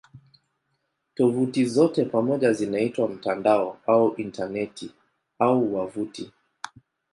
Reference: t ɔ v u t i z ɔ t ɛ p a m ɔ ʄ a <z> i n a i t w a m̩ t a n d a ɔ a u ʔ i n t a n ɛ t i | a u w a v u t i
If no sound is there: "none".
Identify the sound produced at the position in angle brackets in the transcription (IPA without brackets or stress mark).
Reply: z